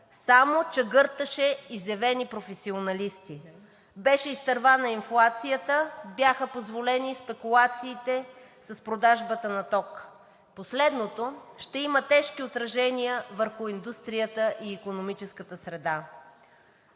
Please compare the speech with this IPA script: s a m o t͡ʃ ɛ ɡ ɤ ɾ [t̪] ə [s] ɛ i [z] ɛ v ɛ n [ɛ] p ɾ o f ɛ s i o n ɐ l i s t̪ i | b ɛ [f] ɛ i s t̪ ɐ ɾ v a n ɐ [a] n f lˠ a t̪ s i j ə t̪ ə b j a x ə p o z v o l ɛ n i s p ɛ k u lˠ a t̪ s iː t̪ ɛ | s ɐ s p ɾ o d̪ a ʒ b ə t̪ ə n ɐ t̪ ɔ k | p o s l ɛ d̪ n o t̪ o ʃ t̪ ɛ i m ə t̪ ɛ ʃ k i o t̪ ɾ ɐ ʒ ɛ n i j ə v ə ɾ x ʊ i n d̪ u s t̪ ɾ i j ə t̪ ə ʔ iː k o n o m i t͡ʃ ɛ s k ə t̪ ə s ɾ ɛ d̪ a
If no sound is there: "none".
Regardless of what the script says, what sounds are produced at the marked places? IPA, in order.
t̪, ʃ, z, i, ʃ, i

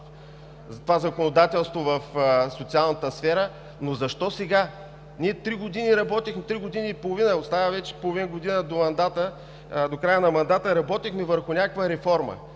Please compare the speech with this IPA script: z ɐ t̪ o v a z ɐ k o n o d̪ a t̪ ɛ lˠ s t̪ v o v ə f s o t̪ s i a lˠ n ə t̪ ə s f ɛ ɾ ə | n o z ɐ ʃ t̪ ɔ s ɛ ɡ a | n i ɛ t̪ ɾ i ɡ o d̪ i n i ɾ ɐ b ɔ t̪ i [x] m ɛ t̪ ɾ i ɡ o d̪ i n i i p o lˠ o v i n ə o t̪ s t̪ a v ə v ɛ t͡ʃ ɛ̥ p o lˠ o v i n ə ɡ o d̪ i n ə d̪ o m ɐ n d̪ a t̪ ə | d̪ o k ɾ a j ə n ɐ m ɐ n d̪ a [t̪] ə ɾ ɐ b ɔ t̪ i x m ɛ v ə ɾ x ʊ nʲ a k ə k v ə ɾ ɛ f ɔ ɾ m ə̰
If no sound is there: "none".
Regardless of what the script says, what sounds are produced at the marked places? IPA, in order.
x, t̪

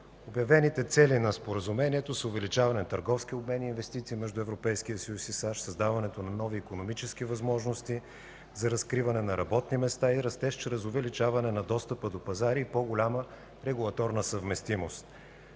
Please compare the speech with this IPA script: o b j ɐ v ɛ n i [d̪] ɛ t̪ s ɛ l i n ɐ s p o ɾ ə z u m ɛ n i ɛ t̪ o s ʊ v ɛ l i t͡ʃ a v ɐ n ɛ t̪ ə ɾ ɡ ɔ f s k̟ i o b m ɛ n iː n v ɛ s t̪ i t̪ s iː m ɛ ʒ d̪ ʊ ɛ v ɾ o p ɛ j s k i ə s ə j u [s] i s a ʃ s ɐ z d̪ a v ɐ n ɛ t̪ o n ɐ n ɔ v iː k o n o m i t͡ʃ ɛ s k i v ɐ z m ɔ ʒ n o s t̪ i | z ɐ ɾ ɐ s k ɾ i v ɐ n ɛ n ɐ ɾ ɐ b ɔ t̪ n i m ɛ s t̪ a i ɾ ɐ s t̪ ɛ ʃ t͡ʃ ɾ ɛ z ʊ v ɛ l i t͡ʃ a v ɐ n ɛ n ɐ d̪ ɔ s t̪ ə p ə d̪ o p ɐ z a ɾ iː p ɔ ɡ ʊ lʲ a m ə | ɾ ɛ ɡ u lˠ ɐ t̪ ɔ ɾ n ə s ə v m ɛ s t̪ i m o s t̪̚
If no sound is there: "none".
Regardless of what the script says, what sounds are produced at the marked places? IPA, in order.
t̪, s

